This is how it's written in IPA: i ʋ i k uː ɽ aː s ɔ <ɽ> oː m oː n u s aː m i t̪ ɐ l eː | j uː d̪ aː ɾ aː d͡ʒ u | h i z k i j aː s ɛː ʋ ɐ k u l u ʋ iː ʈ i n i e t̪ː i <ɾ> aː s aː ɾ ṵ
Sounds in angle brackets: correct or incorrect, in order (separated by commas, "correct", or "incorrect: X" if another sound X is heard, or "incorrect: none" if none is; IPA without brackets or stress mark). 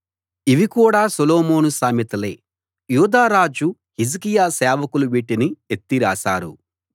incorrect: l, correct